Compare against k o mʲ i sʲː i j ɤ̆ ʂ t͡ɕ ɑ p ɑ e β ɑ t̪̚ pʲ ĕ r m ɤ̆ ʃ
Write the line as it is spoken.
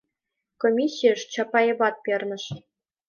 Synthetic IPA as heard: k o mʲ i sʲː i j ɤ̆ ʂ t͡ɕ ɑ p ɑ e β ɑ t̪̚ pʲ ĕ r n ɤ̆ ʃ